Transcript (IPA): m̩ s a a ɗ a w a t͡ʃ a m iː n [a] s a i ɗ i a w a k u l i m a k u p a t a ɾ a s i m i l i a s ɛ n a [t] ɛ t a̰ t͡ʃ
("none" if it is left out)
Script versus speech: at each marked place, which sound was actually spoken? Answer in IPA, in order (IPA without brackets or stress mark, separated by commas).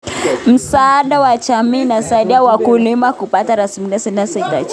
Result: a, s